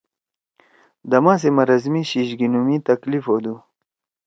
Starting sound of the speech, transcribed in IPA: d̪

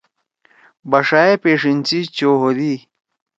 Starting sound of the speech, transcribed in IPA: b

